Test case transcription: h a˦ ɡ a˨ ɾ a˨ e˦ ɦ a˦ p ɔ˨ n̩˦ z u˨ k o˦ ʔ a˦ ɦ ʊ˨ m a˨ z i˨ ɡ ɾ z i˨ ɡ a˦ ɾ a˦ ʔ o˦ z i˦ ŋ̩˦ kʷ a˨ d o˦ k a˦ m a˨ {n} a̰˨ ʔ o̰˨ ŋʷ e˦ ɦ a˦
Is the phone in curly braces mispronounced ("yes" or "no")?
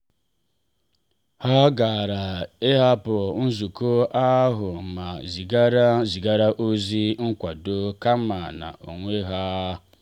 no